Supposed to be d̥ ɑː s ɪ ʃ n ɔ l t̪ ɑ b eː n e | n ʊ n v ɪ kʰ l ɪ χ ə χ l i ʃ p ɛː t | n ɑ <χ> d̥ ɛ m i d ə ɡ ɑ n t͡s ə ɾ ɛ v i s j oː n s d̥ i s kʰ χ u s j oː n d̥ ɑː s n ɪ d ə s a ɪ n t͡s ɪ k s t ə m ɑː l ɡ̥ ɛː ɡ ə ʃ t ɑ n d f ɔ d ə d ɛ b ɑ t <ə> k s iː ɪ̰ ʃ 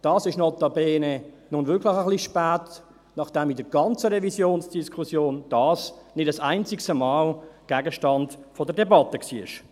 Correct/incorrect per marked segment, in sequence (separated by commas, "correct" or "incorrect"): correct, correct